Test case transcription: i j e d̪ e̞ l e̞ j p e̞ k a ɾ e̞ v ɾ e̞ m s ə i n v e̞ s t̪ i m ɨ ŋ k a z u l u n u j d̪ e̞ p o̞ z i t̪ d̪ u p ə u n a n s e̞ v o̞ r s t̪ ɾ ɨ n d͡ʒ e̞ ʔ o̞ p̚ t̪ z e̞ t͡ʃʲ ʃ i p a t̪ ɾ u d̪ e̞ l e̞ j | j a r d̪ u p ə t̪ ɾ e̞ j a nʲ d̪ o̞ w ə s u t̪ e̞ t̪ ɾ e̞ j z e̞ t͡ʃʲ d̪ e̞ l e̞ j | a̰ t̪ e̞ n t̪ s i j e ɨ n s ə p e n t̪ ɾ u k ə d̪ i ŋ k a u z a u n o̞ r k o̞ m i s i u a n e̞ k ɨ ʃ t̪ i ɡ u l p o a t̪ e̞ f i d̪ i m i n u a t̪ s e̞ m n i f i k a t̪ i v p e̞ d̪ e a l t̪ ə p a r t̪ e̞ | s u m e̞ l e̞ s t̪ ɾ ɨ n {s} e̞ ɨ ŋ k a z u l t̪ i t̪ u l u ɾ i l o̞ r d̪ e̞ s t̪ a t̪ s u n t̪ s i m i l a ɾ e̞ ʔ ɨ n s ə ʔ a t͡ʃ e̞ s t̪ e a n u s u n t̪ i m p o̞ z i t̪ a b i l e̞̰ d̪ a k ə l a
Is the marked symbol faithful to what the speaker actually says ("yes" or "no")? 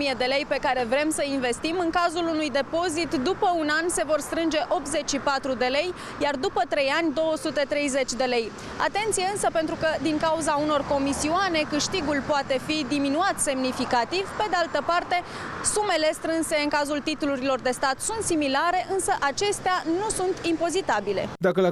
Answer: yes